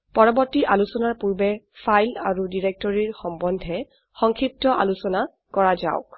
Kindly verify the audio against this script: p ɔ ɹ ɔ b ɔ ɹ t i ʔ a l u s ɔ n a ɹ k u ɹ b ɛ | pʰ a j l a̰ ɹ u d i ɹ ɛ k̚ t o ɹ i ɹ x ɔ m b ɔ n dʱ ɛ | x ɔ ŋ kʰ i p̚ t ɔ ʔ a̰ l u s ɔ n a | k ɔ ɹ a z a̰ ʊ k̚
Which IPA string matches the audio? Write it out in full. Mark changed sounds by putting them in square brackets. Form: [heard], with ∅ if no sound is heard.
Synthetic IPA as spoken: p ɔ ɹ ɔ b ɔ ɹ t i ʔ a l u s ɔ n a ɹ [p] u ɹ b ɛ | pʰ a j l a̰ ɹ u d i ɹ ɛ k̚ t [ɔ] ɹ i ɹ x ɔ m b ɔ n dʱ ɛ | x ɔ ŋ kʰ i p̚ t ɔ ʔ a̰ l u s ɔ n a | k ɔ ɹ a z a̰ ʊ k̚